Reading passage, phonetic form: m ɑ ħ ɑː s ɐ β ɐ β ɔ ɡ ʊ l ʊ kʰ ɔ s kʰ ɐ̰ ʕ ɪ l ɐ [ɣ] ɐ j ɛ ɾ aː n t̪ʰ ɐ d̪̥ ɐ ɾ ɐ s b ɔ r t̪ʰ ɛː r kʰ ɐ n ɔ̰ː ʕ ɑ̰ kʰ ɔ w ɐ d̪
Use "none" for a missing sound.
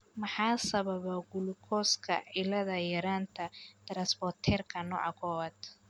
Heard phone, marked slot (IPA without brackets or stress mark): ð